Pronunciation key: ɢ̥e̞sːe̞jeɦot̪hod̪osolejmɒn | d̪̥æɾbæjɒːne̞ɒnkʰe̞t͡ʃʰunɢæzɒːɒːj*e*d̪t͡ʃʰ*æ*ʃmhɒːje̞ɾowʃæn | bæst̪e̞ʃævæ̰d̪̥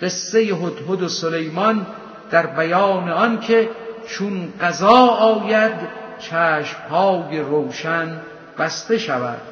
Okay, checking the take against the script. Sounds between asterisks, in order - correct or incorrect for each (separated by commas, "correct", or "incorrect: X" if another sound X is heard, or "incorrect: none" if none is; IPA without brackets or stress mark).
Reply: incorrect: æ, incorrect: æː